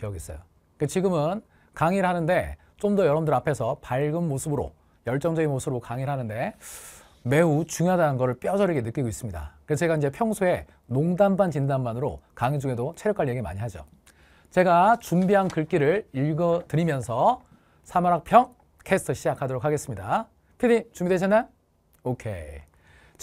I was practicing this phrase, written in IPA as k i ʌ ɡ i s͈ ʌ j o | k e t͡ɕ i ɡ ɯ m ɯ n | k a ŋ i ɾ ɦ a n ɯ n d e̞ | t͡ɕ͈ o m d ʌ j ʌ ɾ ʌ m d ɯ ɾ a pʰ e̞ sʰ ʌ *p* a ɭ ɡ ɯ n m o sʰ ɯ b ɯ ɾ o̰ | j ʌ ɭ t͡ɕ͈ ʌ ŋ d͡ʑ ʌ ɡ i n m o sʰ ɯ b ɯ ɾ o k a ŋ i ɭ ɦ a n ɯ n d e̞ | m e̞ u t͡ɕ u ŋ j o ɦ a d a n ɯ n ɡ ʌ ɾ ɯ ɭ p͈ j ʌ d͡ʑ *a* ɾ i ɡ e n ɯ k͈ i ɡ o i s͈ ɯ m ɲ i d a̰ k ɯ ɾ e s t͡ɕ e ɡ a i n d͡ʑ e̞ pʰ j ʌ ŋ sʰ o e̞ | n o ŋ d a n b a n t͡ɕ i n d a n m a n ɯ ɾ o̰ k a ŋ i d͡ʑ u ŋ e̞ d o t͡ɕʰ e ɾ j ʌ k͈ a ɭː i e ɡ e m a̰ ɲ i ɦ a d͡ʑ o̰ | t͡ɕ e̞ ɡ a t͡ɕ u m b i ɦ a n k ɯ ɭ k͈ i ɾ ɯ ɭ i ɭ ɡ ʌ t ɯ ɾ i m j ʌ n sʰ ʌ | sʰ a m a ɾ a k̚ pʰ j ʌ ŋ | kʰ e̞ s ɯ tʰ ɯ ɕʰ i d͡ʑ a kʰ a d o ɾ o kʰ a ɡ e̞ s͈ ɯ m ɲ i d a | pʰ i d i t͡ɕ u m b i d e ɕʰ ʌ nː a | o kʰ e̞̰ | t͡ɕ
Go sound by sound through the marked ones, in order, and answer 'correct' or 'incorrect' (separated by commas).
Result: correct, incorrect